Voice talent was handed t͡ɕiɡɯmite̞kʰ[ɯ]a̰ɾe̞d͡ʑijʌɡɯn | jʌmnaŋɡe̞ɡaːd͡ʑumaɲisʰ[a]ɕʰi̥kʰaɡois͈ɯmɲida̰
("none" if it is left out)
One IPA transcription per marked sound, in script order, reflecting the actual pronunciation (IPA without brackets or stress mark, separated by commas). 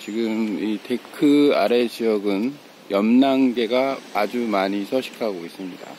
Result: ɯ, ʌ